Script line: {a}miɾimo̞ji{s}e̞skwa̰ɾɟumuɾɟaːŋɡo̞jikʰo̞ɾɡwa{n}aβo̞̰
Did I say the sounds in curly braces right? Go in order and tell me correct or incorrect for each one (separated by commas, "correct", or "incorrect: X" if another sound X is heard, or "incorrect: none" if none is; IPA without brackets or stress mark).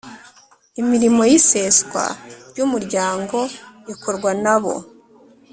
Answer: incorrect: i, correct, correct